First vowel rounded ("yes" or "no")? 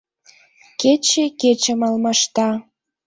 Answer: no